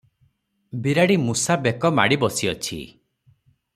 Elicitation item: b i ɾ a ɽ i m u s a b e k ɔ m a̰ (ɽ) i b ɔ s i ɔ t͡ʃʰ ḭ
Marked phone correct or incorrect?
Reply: correct